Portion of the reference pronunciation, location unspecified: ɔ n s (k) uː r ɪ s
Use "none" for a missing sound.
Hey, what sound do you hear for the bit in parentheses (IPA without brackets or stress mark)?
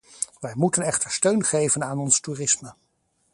t